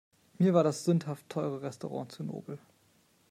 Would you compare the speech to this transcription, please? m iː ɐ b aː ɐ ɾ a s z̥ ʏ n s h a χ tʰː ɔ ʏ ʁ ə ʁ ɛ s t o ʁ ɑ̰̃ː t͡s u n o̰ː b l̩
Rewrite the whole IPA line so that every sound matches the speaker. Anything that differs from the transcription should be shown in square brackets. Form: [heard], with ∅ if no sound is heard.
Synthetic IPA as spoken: m iː ɐ [v] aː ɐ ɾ a s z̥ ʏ n [t] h a [f] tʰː ɔ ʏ ʁ ə ʁ ɛ s t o ʁ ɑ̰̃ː t͡s u n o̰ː b l̩